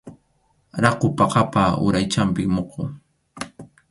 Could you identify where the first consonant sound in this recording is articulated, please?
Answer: alveolar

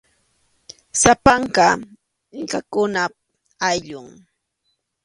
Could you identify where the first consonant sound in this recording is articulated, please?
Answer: alveolar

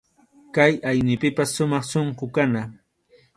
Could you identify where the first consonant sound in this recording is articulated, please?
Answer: velar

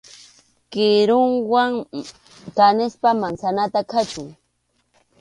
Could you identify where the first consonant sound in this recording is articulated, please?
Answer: velar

